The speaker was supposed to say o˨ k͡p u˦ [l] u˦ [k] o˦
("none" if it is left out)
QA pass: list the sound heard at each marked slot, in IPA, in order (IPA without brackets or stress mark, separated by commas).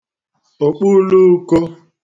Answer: l, k